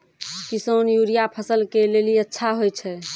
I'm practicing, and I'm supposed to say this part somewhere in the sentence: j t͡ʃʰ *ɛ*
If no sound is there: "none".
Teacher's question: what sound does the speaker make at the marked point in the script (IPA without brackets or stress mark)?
ɛ